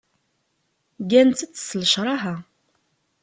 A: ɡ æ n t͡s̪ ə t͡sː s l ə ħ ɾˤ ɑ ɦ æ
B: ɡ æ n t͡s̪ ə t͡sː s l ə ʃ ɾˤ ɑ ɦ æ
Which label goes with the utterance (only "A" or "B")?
B